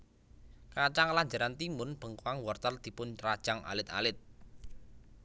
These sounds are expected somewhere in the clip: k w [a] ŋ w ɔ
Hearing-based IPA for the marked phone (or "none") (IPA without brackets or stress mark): a